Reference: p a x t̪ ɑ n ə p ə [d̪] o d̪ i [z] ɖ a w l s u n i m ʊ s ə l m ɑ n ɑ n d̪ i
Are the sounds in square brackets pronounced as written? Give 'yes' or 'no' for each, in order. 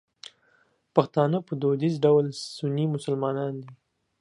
yes, yes

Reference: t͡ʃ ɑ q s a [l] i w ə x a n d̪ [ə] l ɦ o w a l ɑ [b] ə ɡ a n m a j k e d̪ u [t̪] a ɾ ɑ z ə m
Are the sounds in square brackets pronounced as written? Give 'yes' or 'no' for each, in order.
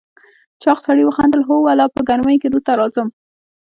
no, yes, no, yes

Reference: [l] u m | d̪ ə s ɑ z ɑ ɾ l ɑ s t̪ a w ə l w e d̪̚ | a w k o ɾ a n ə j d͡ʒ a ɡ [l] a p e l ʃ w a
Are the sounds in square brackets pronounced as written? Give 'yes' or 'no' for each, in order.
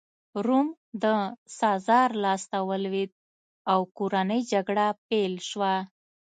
no, no

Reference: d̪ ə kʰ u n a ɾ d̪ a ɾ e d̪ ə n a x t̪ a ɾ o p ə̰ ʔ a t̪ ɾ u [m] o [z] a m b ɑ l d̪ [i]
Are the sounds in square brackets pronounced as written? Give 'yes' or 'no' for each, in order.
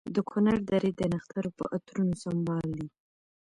no, no, yes

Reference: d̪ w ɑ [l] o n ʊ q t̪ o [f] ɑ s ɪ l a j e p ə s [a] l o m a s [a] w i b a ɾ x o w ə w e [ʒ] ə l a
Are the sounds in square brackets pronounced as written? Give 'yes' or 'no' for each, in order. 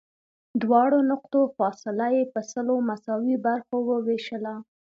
no, yes, no, no, no

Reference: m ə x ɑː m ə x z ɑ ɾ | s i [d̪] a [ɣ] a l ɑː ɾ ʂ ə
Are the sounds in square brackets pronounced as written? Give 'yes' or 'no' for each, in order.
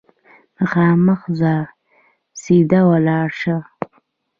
yes, no

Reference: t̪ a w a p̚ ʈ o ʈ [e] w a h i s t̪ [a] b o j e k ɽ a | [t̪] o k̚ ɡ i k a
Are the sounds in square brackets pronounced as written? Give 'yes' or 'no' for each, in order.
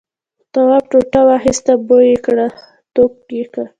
no, yes, yes

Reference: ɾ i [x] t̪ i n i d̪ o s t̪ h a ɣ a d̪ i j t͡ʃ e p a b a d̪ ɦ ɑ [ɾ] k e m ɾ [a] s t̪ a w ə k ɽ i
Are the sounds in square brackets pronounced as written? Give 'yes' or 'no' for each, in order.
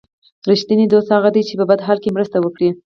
no, no, no

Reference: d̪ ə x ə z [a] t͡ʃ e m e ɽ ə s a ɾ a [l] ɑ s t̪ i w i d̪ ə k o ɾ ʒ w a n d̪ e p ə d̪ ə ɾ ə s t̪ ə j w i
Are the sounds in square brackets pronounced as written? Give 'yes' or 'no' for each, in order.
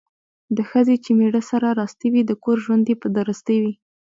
no, no

